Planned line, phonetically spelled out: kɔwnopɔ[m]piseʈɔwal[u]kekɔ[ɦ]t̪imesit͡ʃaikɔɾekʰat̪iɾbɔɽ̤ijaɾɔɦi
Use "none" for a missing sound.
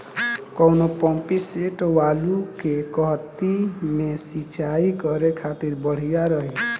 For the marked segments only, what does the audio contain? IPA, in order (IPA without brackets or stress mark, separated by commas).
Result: m, u, ɦ